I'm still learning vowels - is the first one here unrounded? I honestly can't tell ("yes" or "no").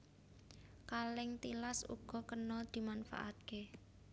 yes